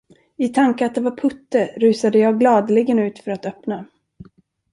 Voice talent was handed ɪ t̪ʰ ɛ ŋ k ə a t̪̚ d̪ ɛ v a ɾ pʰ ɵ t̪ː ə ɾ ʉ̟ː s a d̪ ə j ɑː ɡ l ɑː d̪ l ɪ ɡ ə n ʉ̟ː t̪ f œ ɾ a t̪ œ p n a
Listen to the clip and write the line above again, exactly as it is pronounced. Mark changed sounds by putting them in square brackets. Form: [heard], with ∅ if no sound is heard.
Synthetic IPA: ɪ t̪ʰ [a] ŋ k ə a t̪̚ d̪ ɛ v a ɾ pʰ ɵ t̪ː ə ɾ ʉ̟ː s a d̪ ə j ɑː ɡ l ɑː d̪ l ɪ ɡ ə n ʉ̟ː t̪ f œ ɾ a t̪ œ p n a